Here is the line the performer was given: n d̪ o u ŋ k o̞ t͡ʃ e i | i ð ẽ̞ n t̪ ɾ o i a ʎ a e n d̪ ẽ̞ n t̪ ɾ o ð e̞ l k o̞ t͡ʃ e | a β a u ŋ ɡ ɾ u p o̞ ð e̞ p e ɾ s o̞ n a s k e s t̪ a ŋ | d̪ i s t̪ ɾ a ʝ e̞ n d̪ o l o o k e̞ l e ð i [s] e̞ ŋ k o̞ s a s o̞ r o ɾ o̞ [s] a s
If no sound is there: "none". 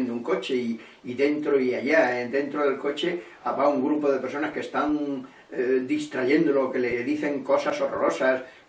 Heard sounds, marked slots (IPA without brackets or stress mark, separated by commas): θ, s